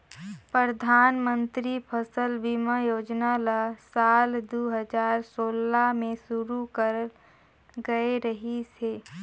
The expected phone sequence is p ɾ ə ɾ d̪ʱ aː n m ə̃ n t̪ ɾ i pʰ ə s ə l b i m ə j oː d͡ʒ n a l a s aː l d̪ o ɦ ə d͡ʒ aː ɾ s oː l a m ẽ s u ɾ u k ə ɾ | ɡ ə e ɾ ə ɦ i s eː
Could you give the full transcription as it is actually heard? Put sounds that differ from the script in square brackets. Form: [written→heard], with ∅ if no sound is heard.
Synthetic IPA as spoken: p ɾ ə ɾ d̪ʱ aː n m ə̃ n t̪ ɾ i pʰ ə s ə l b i m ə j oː d͡ʒ n a l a s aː l d̪ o ɦ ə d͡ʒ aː ɾ s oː l a m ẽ s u ɾ u k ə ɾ | ɡ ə e ɾ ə ɦ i s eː